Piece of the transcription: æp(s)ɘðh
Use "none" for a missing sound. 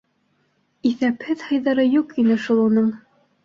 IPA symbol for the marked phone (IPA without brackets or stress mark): h